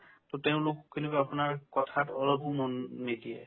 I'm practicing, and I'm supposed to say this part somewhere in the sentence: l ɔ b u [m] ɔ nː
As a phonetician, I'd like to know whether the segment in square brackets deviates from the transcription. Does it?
no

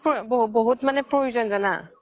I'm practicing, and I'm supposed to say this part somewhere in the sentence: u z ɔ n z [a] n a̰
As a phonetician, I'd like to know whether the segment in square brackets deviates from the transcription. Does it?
no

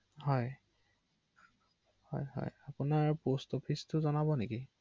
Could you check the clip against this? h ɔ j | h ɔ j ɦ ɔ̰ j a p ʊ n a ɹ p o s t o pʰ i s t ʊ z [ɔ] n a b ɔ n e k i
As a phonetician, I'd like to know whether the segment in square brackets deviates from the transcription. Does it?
no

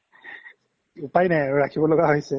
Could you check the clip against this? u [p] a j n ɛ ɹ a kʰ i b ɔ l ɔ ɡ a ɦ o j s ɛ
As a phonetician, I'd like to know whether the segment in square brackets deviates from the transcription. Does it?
no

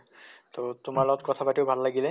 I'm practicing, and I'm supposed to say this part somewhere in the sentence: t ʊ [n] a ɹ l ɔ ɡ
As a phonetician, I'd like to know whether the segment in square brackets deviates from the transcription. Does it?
yes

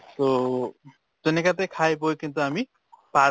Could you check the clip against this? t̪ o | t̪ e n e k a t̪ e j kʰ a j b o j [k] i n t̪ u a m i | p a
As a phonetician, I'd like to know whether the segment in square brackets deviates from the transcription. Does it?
no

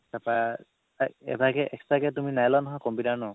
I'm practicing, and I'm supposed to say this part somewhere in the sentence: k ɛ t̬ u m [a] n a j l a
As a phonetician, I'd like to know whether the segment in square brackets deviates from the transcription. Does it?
yes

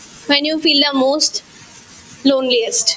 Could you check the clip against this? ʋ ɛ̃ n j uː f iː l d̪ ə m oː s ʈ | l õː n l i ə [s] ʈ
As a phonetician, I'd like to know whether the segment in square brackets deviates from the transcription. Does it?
no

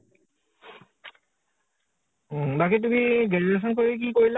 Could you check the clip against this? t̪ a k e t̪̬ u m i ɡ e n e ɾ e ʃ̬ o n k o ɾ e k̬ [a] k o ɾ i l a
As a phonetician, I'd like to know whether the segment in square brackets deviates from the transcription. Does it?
yes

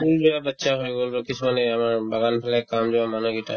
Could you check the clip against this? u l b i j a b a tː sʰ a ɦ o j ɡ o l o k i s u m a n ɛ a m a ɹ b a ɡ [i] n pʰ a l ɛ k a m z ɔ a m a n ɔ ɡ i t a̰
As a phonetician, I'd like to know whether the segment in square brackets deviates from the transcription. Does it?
yes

